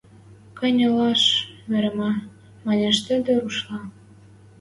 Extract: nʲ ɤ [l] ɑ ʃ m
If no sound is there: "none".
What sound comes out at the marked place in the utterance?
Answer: l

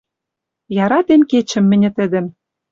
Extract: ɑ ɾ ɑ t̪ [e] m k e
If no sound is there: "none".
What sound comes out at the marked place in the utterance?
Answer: e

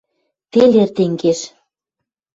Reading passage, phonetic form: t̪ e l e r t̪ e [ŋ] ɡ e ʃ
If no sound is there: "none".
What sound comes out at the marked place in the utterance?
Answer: ŋ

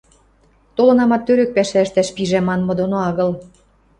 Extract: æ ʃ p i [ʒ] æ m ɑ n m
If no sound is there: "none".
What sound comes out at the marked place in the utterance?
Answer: ʒ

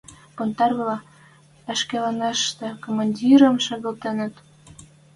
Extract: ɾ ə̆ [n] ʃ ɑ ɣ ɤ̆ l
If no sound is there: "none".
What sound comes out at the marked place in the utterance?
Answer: m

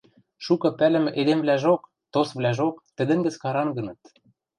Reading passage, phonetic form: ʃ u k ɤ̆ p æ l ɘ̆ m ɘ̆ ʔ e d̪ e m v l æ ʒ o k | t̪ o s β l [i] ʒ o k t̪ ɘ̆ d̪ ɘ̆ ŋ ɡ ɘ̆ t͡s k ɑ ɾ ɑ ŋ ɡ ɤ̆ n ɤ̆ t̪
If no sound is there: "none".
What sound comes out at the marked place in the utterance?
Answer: æ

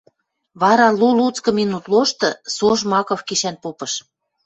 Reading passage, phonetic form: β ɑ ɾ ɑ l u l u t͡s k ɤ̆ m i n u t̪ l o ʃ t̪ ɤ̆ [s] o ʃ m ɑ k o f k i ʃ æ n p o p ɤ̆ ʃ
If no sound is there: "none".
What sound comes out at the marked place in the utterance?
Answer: s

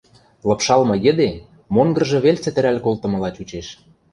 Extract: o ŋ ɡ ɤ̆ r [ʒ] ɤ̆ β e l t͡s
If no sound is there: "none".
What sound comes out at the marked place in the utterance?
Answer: ʒ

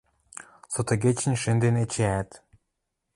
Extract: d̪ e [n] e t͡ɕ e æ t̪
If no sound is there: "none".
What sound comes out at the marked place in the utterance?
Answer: n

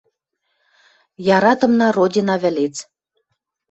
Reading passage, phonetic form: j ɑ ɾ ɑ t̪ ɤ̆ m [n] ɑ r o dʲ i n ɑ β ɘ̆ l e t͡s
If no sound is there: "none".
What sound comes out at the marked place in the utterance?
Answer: n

